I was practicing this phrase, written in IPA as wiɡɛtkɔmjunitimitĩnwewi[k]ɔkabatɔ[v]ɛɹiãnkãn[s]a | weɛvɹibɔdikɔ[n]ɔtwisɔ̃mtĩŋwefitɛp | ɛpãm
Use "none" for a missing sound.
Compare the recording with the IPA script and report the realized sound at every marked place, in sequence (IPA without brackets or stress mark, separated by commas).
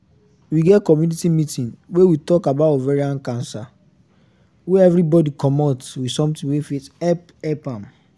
t, v, s, m